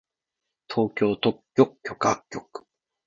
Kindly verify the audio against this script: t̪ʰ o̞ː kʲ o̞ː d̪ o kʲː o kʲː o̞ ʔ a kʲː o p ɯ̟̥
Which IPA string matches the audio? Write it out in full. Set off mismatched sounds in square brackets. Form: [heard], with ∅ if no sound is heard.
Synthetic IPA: t̪ʰ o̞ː kʲ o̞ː [t̪] o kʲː o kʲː o̞ [k] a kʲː o [k] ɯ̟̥